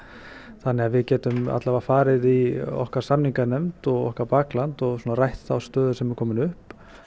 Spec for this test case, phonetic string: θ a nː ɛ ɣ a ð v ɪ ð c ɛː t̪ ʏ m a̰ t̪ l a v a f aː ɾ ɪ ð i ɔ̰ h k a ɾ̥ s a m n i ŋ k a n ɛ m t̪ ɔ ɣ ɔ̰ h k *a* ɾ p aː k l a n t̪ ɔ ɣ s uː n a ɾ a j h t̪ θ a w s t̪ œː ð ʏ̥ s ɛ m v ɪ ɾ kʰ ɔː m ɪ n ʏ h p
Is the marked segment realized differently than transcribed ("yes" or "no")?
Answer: no